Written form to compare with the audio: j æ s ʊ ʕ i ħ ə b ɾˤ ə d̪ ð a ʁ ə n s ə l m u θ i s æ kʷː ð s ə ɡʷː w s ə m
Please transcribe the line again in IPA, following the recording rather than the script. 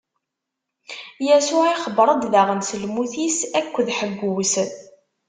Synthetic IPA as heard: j æ s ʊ ʕ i χ ə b ɾˤ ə d̪ ð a ʁ ə n s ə l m u θ i s æ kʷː ð ħ ə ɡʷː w s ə n